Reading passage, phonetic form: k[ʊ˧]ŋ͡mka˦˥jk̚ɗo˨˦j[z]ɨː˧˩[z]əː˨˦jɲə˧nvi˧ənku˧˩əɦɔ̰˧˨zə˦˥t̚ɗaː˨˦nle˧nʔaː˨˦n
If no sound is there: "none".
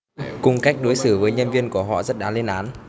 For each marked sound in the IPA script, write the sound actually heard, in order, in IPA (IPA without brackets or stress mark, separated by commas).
ʊ˧, s, v